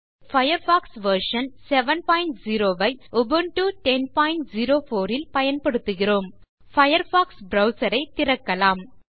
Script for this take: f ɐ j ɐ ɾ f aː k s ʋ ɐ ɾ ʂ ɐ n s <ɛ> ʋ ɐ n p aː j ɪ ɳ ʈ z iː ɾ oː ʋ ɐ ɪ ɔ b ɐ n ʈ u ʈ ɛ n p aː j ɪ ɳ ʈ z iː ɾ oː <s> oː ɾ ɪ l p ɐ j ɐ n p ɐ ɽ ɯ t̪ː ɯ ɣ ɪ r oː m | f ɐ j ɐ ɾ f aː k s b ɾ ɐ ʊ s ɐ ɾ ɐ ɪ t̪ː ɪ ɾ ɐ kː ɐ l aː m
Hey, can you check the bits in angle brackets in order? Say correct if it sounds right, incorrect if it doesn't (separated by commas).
correct, incorrect